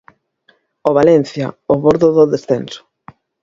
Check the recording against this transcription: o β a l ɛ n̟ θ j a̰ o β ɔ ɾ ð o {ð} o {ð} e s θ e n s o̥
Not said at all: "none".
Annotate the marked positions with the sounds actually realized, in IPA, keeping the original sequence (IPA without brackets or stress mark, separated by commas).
ð, ð